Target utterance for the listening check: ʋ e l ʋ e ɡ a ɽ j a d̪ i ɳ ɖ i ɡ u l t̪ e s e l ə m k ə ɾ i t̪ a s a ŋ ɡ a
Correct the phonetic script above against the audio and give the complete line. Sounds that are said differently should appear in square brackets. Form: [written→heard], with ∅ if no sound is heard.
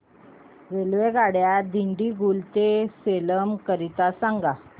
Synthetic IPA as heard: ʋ e l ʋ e ɡ a ɽ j a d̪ i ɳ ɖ i ɡ u l t̪ e s e l ə m k ə ɾ i t̪ a s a ŋ ɡ a